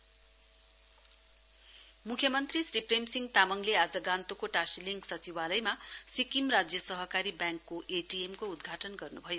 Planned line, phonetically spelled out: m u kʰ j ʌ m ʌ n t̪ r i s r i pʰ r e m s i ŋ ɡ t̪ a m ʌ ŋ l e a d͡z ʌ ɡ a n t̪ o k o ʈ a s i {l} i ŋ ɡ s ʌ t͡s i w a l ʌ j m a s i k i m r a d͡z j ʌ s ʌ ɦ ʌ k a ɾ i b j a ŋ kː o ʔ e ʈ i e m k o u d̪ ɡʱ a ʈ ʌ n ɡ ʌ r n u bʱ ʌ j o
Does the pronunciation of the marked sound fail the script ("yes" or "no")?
no